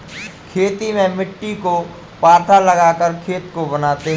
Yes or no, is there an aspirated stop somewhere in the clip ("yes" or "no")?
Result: yes